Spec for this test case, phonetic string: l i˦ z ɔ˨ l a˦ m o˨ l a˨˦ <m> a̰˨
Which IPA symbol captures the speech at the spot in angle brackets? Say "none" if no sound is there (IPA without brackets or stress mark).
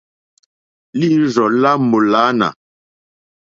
n